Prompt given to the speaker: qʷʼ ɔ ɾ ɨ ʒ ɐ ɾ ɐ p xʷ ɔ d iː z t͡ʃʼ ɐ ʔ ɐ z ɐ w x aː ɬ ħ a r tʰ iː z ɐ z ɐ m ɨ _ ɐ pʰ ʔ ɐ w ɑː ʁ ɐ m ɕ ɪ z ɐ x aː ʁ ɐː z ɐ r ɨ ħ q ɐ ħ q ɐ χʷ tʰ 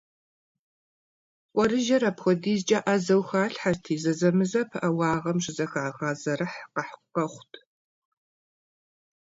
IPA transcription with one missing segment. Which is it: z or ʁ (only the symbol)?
z